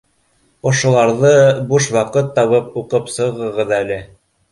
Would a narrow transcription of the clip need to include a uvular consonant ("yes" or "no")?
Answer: yes